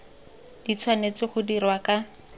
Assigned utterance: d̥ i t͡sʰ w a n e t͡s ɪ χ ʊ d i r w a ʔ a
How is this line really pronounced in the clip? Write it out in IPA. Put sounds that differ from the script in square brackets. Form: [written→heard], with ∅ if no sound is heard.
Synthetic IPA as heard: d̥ i t͡sʰ w a n e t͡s ɪ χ ʊ d i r w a [ʔ→k] a